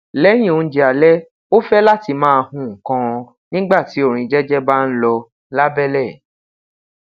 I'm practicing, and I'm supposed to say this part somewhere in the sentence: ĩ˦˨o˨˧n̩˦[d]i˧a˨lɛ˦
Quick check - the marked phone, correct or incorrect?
incorrect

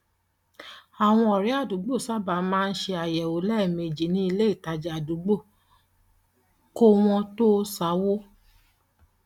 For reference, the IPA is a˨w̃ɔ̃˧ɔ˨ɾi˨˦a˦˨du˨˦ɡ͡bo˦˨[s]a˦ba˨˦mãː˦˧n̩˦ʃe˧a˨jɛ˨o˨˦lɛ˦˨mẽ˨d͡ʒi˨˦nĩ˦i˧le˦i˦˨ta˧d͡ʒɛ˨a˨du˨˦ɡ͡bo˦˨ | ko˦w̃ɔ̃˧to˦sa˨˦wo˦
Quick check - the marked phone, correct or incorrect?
correct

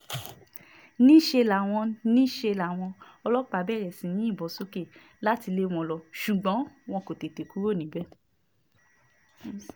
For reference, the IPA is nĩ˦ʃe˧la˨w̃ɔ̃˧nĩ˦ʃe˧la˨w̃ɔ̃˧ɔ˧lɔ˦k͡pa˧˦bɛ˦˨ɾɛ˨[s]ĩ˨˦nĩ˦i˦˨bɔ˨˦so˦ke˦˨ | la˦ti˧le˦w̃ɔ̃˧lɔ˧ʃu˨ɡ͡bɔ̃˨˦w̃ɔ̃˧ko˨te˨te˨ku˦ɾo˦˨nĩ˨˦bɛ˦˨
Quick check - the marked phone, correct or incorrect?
correct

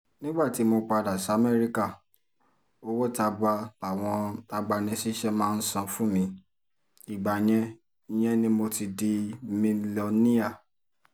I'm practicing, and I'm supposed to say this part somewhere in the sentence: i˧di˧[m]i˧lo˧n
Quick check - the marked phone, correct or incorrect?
correct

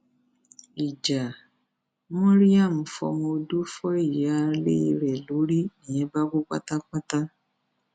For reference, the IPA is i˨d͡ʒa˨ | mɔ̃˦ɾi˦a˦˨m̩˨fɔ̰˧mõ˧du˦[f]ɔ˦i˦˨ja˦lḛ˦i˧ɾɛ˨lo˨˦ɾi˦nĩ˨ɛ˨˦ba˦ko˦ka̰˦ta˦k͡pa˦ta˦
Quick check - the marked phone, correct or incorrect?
correct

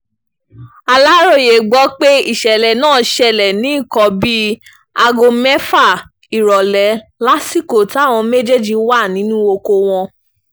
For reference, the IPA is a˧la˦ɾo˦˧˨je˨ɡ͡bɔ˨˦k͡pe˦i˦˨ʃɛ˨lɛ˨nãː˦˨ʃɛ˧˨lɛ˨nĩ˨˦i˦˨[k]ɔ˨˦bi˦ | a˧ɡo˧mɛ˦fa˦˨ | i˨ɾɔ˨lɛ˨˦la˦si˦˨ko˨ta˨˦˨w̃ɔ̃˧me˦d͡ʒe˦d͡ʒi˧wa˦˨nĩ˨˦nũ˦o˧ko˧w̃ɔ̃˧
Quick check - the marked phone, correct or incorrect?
correct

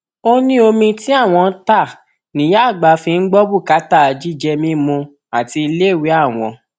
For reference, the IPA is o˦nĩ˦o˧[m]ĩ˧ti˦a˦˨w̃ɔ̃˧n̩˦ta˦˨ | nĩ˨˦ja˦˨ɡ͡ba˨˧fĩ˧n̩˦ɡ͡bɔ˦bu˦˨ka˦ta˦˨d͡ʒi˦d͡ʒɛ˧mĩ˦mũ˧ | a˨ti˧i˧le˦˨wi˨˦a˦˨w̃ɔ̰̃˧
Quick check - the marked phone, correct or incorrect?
correct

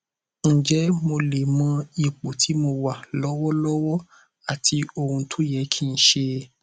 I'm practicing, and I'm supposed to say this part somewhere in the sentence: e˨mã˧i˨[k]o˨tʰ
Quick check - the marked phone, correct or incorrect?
incorrect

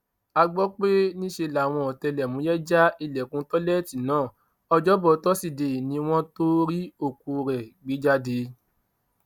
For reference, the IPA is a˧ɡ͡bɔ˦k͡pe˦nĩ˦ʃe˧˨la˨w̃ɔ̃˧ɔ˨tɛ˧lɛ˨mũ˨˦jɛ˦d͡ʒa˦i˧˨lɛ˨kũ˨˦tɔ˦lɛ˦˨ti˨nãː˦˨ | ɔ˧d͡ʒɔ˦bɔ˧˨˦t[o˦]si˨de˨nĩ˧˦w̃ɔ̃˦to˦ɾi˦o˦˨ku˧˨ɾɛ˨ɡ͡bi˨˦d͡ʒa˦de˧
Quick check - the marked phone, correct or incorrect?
incorrect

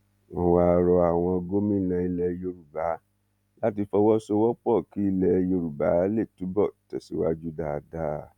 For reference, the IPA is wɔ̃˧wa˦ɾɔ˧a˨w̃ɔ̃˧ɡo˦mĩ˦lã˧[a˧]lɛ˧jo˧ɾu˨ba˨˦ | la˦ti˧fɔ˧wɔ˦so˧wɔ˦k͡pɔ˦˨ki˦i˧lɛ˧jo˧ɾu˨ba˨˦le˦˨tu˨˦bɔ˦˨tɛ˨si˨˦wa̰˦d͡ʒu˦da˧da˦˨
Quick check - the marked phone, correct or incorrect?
incorrect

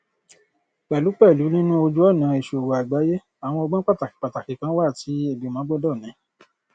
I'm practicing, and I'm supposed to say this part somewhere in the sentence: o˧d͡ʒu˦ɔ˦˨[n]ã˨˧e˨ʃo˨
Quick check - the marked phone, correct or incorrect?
correct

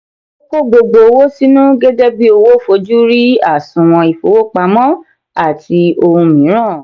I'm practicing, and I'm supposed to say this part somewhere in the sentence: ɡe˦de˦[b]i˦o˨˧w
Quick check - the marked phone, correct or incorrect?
correct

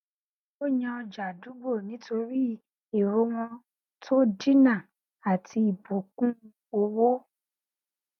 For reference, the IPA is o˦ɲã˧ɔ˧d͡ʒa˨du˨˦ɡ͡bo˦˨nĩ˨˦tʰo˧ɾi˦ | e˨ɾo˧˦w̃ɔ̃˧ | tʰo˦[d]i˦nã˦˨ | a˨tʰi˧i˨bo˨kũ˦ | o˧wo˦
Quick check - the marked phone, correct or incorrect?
correct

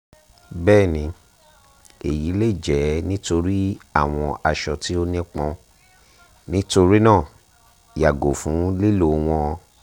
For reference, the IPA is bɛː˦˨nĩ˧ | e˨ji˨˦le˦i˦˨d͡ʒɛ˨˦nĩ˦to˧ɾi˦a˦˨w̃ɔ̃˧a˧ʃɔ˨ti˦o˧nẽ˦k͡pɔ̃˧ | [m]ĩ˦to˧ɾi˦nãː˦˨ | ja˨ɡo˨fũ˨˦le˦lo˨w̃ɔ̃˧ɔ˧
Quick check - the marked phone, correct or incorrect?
incorrect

